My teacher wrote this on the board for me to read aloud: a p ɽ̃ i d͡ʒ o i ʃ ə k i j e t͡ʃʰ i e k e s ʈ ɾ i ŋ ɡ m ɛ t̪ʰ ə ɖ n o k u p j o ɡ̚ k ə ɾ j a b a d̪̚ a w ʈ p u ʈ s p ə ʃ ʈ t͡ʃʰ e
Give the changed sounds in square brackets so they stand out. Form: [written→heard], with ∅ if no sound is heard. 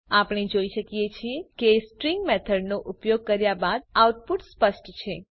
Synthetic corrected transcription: a p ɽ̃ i d͡ʒ o i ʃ ə k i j e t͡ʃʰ i e k e s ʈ ɾ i ŋ ɡ m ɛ t̪ʰ ə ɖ n o [k→ʔ] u p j o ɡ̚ k ə ɾ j a b a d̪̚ a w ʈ p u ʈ s p ə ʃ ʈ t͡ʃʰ e

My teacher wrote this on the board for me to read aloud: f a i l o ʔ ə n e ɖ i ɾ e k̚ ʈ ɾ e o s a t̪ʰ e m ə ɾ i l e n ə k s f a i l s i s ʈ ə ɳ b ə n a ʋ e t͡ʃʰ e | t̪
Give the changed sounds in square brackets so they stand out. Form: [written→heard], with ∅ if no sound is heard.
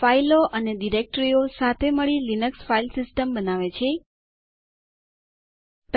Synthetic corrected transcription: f a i l o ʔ ə n e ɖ i ɾ e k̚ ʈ ɾ [e→i] o s a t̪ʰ e m ə [ɾ→ɭ] i l [e→i] n ə k s f a i l s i s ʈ ə [ɳ→m] b ə n a ʋ e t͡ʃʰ e | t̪

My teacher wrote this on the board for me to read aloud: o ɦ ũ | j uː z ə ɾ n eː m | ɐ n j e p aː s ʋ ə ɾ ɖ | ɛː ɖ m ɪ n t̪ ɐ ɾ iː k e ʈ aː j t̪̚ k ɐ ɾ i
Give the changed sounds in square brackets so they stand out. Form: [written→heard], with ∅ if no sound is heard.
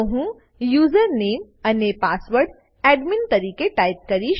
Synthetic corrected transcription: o ɦ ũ | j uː z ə ɾ n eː m | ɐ n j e p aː s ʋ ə ɾ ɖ | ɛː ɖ m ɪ n t̪ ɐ ɾ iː k e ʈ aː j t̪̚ k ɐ ɾ i

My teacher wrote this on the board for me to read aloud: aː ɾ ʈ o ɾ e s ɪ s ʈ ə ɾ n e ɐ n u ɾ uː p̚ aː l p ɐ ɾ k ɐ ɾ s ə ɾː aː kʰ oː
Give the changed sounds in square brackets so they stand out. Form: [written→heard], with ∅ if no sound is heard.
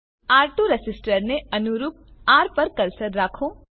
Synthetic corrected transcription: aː ɾ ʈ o ɾ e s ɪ s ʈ ə ɾ n e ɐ n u ɾ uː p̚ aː [l→ɾ] p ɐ ɾ k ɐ ɾ s ə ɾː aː kʰ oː

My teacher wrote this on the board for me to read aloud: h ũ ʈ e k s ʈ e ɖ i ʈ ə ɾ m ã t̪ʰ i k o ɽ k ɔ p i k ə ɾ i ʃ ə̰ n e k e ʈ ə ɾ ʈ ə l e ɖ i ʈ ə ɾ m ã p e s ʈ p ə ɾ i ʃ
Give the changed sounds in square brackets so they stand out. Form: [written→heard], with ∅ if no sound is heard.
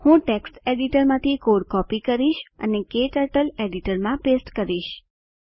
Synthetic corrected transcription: h ũ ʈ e k s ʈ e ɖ i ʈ ə ɾ m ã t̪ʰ i k o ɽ k ɔ p i k ə ɾ i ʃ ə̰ n e k e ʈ ə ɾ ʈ ə l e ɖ i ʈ ə ɾ m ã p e s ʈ [p→k] ə ɾ i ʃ

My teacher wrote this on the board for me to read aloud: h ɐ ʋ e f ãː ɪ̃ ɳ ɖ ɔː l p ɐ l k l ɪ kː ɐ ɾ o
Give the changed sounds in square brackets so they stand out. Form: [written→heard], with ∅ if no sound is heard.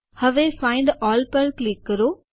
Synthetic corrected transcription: h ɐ ʋ e f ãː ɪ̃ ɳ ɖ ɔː l p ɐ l k l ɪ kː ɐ ɾ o

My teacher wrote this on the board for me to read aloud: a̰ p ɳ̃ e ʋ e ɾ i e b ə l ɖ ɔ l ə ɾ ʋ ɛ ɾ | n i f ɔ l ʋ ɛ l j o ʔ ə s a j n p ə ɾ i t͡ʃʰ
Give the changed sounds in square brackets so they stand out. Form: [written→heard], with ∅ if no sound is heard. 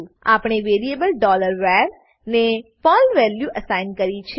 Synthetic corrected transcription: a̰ p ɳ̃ e ʋ e ɾ i e b ə l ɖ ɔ l ə ɾ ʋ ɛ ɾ | n [i→e] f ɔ l ʋ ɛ l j [o→u] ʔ ə s a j n [p→k] ə ɾ i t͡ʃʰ

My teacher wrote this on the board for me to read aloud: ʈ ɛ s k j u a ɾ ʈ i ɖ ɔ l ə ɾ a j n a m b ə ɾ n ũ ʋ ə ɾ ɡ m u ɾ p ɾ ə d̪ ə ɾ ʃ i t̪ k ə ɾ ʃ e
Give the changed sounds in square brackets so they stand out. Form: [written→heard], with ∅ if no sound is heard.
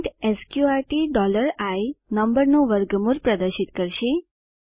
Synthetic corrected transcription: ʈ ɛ s k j u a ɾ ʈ i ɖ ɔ l ə ɾ a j n [a→ə] m b ə ɾ n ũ ʋ ə ɾ ɡ m u ɾ p ɾ ə d̪ ə ɾ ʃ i t̪ k ə ɾ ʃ e

